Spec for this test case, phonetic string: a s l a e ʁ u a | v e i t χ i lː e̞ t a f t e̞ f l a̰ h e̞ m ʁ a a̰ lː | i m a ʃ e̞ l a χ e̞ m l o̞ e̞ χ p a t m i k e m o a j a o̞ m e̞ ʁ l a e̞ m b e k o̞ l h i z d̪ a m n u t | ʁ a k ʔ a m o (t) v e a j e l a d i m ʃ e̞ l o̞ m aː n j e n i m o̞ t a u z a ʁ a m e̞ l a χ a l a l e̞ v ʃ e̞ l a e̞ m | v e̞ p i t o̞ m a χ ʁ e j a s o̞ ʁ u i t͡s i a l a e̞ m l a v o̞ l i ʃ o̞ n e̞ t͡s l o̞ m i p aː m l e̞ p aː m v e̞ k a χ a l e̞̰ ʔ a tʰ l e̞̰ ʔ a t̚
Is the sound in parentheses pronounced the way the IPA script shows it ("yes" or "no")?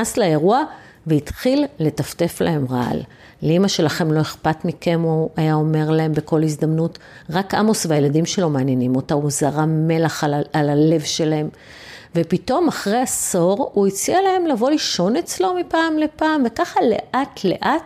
no